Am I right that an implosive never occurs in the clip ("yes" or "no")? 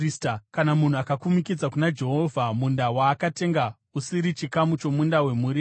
yes